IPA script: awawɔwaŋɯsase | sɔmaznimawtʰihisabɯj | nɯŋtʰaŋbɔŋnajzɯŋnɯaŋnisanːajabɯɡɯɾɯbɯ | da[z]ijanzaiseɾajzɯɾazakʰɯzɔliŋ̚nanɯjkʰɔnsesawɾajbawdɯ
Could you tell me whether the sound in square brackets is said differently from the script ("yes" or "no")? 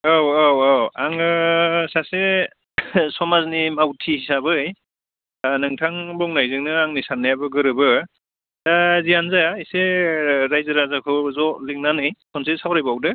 no